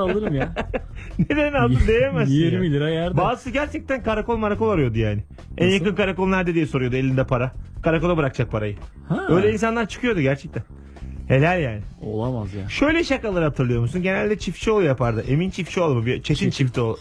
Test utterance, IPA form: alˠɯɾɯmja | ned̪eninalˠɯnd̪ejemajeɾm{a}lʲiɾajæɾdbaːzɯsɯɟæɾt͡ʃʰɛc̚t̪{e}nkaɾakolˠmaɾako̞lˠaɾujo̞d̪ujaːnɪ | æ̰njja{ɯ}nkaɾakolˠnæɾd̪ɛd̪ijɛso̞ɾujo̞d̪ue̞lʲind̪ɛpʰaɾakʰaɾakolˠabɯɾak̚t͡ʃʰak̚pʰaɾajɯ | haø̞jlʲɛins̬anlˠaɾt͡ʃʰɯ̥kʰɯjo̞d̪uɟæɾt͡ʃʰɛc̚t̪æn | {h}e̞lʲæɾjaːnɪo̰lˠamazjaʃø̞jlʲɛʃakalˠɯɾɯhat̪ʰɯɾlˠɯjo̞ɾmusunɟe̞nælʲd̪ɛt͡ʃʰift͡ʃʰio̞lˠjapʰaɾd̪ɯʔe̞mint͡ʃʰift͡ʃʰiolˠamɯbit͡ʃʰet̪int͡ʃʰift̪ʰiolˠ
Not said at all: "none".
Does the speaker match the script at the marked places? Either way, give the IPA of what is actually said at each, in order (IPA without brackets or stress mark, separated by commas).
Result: i, æ, ɯ, h